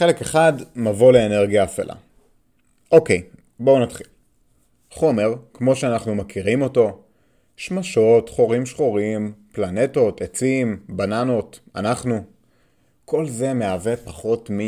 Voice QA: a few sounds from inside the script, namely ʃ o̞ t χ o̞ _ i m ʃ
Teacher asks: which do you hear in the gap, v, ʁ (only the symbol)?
ʁ